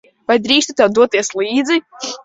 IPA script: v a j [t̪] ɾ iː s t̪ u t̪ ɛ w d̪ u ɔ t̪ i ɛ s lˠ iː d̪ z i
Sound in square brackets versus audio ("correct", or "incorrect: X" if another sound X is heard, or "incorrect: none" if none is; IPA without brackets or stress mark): incorrect: d̪